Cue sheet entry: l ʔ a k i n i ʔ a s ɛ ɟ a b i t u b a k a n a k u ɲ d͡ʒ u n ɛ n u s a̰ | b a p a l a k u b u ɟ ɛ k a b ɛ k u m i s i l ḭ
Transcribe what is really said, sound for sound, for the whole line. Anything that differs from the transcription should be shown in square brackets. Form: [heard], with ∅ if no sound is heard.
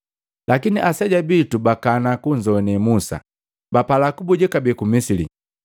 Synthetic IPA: l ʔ a k i n i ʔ a s ɛ ɟ a b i t u b a k a n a k u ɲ d͡ʒ [ɔ] n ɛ [m] u s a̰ | b a p a l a k u b u ɟ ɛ k a b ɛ k u m i s i l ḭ